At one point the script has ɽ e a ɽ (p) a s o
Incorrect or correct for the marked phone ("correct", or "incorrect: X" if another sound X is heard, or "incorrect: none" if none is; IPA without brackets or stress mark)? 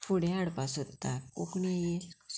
correct